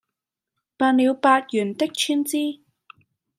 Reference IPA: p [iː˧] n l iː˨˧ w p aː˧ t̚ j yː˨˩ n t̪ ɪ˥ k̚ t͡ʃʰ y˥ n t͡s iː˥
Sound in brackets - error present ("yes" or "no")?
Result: yes